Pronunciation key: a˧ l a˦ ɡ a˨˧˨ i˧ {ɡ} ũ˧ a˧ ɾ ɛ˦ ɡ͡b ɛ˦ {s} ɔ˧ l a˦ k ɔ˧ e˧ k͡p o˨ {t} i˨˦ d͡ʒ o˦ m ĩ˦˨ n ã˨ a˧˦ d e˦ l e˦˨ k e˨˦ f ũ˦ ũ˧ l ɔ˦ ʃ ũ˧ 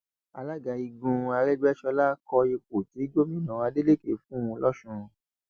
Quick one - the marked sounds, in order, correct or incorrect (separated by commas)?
correct, incorrect, correct